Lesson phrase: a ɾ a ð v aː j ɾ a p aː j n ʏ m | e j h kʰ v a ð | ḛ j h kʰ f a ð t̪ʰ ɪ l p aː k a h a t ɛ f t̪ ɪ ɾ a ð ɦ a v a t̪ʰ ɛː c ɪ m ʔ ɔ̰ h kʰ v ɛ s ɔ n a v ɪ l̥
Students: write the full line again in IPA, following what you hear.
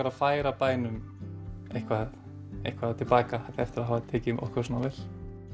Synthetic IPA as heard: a ɾ a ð f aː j ɾ a p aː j n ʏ m | e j h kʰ v a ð | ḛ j h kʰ v a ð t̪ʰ ɪ l p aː k a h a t ɛ f t̪ ɪ ɾ a ð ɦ a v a t̪ʰ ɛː c ɪ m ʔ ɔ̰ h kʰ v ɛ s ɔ n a v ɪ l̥